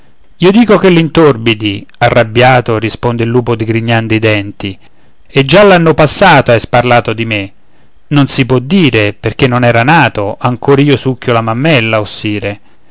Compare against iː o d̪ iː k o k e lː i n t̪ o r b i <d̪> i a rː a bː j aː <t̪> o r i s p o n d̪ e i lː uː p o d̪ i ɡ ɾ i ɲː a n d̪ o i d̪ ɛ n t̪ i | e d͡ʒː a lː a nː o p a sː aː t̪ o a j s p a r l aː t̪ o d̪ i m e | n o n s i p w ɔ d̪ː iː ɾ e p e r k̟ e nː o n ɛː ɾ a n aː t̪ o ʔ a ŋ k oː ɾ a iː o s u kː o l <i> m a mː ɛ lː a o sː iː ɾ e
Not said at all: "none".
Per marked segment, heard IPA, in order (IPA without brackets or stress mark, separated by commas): d̪, t̪, a